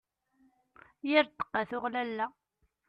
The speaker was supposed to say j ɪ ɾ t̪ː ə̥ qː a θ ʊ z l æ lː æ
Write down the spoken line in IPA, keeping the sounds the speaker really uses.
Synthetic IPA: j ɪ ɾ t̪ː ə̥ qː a θ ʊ ʁ l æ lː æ